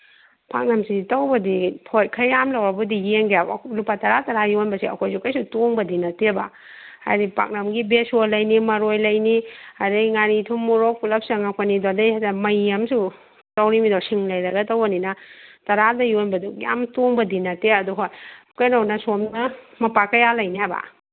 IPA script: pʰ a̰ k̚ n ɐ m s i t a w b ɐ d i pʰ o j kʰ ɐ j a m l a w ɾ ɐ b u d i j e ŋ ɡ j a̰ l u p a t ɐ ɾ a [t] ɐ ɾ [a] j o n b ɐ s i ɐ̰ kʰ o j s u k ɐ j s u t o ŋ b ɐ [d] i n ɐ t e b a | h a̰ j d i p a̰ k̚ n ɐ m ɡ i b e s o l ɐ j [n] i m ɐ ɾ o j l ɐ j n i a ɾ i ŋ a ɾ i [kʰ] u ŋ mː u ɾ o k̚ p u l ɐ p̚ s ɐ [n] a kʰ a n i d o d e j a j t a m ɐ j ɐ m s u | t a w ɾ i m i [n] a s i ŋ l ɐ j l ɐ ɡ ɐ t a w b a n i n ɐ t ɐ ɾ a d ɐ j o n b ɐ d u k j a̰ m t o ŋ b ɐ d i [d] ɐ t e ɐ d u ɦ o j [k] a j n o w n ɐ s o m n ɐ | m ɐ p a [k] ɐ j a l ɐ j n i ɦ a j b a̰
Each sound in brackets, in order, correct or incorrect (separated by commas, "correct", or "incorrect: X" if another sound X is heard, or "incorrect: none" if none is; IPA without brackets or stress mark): correct, correct, correct, correct, incorrect: tʰ, incorrect: ŋ, incorrect: d, incorrect: n, correct, correct